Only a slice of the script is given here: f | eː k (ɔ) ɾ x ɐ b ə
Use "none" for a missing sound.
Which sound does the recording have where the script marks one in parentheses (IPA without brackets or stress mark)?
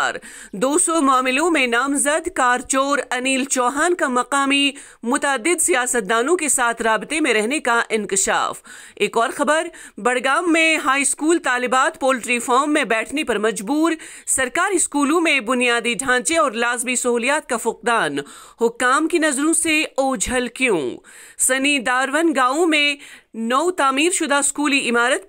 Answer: ɔː